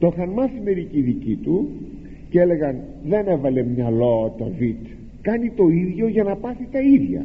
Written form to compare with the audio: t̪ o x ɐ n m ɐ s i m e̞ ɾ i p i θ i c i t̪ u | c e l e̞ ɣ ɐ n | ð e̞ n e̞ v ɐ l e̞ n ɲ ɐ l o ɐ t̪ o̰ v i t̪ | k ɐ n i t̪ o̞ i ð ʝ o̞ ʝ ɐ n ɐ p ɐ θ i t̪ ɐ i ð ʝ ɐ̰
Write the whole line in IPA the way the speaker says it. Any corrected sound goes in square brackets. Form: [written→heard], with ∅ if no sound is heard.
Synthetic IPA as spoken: t̪ o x ɐ n m ɐ s i m e̞ ɾ i [p→c] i [θ→ð] i c i t̪ u | c e l e̞ ɣ ɐ n | ð e̞ n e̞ v ɐ l e̞ [n→m] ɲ ɐ l o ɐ t̪ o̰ v i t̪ | k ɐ n i t̪ o̞ i ð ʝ o̞ ʝ ɐ n ɐ p ɐ θ i t̪ ɐ i ð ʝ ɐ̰